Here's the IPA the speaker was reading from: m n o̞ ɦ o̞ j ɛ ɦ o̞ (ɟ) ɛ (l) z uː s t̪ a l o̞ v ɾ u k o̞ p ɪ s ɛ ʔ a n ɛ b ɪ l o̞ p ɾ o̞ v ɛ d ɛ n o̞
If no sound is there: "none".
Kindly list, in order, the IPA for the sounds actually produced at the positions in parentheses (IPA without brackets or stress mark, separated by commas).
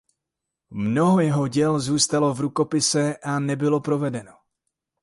ɟ, l